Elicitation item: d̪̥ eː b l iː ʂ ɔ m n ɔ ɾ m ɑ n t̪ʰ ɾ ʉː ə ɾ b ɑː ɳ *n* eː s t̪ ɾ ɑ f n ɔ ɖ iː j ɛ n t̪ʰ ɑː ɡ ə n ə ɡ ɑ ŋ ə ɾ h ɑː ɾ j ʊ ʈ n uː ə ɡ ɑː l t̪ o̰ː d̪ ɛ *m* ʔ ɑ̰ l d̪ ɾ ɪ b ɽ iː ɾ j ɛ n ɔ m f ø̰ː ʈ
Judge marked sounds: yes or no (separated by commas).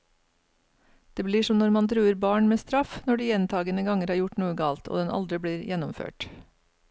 no, no